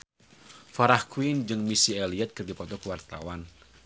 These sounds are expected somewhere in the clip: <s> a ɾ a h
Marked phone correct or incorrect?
incorrect: f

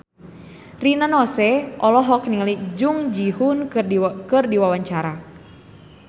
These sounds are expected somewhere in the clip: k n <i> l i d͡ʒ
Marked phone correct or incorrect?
correct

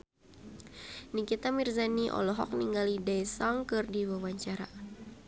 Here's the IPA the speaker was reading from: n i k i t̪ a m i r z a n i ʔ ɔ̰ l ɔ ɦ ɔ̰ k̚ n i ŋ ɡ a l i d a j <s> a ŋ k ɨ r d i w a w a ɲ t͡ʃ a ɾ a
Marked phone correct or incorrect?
correct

